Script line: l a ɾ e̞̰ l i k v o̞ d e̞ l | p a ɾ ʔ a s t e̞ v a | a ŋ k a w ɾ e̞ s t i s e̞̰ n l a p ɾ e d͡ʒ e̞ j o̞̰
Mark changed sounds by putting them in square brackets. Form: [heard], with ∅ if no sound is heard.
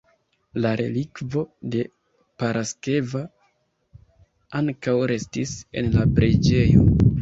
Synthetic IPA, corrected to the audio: l a ɾ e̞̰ l i k v o̞ d e̞ [∅] | p a ɾ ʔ a s [k] e̞ v a | a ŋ k a w ɾ e̞ s t i s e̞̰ n l a p ɾ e d͡ʒ e̞ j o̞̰